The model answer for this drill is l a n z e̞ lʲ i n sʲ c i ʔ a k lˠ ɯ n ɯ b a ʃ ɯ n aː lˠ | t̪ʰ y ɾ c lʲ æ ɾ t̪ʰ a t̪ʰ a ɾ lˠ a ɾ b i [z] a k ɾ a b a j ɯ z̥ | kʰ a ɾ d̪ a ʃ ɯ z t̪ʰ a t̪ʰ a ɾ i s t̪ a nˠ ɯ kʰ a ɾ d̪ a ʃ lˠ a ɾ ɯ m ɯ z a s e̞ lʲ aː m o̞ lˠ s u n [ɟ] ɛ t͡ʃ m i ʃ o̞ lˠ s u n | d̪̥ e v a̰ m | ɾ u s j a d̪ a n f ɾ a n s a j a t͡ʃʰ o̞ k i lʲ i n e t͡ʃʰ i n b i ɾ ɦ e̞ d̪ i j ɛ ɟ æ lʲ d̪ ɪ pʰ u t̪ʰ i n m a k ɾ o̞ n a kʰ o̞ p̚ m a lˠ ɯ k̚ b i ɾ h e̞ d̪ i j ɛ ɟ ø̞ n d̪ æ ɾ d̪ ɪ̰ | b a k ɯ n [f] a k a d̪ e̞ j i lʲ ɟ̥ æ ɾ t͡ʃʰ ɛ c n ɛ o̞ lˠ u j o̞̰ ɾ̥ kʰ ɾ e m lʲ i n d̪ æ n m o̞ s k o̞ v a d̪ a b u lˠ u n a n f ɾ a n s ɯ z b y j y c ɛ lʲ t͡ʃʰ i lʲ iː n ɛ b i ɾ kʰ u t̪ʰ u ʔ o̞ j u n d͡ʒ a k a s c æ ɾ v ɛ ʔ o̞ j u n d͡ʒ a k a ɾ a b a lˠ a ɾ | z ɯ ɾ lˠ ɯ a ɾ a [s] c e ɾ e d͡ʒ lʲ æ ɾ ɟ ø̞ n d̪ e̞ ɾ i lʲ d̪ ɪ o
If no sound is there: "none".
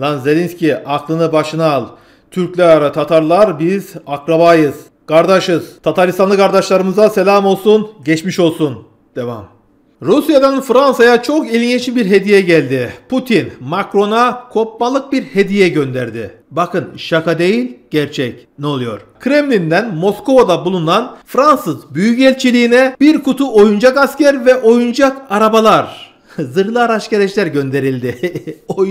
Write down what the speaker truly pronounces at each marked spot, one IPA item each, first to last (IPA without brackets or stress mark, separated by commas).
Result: z, ɟ, ʃ, ʃ